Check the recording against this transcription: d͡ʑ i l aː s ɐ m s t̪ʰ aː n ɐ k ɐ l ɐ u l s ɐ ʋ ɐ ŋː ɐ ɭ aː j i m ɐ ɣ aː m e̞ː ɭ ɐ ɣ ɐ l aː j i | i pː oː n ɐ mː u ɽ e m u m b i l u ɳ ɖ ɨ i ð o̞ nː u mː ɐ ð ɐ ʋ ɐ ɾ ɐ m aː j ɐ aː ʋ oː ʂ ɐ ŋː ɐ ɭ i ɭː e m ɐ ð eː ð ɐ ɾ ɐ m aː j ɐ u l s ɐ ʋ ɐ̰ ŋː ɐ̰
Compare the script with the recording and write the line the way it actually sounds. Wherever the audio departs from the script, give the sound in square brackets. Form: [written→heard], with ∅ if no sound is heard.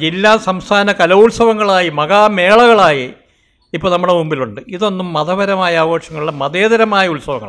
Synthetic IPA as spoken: d͡ʑ i [l→lː] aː s ɐ m s t̪ʰ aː n ɐ k ɐ l ɐ u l s ɐ ʋ ɐ ŋː ɐ ɭ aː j i m ɐ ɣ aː m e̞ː ɭ ɐ ɣ ɐ [l→ɭ] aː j i | i pː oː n ɐ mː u ɽ e m u m b i l u ɳ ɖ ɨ i ð o̞ nː u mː ɐ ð ɐ ʋ ɐ ɾ ɐ m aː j ɐ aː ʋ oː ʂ ɐ ŋː ɐ ɭ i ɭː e m ɐ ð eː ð ɐ ɾ ɐ m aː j ɐ u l s ɐ ʋ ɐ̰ ŋː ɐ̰

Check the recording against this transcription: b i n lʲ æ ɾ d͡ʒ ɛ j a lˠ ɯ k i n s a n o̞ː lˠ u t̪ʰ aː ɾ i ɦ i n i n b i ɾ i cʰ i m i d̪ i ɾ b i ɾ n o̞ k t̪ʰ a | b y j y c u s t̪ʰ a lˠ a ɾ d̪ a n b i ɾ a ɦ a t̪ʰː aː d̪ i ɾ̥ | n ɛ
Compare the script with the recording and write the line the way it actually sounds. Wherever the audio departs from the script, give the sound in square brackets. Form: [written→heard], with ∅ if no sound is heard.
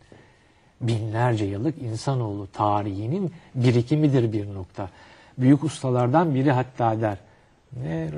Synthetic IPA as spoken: b i n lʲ æ ɾ d͡ʒ ɛ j a lˠ ɯ k i n s a n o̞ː lˠ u t̪ʰ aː ɾ i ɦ i n i n b i ɾ i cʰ i m i d̪ i ɾ b i ɾ n o̞ k t̪ʰ a | b y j y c u s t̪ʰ a lˠ a ɾ d̪ a n b i ɾ [a→i] ɦ a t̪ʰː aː d̪ [i→æ] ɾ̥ | n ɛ

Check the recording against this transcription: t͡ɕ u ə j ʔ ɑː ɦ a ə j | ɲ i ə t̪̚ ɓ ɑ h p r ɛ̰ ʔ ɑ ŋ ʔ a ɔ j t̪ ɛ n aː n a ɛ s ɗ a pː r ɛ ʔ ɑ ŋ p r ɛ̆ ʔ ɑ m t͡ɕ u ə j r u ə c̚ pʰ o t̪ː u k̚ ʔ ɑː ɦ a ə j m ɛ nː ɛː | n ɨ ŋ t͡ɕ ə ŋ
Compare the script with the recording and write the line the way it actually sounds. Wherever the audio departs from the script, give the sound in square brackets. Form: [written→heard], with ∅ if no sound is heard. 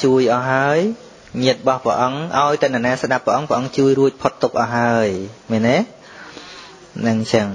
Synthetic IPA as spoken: t͡ɕ u ə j ʔ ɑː ɦ a ə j | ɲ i ə t̪̚ ɓ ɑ h p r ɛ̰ ʔ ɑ ŋ ʔ a ɔ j t̪ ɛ n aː n a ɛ s ɗ a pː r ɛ ʔ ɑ ŋ p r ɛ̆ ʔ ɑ [m→ŋ] t͡ɕ u ə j r u ə c̚ pʰ o t̪ː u k̚ ʔ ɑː ɦ a ə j m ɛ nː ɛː | n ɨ ŋ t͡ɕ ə ŋ

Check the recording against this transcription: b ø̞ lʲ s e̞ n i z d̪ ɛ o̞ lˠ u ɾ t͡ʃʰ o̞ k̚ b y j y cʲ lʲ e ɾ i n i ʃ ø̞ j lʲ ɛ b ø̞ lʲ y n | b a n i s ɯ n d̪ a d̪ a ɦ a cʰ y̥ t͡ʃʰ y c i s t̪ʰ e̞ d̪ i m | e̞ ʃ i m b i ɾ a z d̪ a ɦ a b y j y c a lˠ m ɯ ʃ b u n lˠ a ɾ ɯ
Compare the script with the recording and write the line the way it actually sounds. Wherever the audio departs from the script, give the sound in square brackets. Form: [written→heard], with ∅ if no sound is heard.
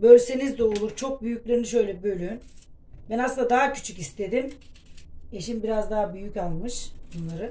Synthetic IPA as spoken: b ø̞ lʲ s e̞ n i z d̪ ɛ o̞ lˠ u ɾ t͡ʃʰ o̞ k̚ b y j y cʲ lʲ e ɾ i n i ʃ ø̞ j lʲ ɛ b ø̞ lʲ y n | b [a→æ] n [i→a] s ɯ n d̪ a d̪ a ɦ a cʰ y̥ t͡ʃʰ y c i s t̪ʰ e̞ d̪ i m | e̞ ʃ i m b i ɾ a z d̪ a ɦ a b y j y c a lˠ m ɯ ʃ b u n lˠ a ɾ ɯ

